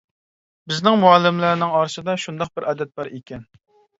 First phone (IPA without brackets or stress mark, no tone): b